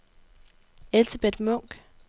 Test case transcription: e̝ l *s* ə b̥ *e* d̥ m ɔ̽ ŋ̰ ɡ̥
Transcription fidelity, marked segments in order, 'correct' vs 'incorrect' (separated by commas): correct, correct